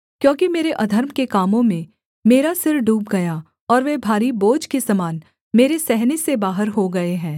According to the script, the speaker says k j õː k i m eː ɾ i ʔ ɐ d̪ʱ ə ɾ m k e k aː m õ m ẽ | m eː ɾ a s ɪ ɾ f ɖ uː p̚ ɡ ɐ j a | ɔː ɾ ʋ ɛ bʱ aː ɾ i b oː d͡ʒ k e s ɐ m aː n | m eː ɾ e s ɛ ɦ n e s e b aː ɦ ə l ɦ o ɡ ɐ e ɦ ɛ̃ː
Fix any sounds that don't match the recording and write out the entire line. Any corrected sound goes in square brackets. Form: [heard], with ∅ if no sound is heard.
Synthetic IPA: k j õː k i m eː ɾ [e] ʔ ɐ d̪ʱ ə ɾ m k e k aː m õ m ẽ | m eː ɾ a s ɪ ɾ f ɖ uː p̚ ɡ ɐ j a | ɔː ɾ ʋ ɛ bʱ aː ɾ i b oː d͡ʒ k e s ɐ m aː n | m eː ɾ e s ɛ ɦ n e s e b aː ɦ ə [ɾ] ɦ o ɡ ɐ e ɦ ɛ̃ː

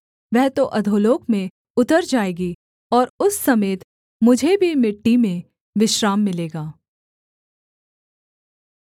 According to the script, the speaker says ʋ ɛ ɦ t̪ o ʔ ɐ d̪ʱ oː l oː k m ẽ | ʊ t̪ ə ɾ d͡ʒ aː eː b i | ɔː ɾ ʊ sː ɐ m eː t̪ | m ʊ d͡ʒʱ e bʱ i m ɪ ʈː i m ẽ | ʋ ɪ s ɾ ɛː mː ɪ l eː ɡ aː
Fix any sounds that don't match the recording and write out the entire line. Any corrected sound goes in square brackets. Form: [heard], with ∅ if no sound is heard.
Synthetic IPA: ʋ ɛ ɦ t̪ o ʔ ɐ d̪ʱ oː l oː k m ẽ | ʊ t̪ ə ɾ d͡ʒ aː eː [ɡ] i | ɔː ɾ ʊ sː ɐ m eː t̪ | m ʊ d͡ʒʱ e bʱ i m ɪ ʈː i m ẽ | ʋ ɪ [ʃ] ɾ [aː] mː ɪ l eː ɡ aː

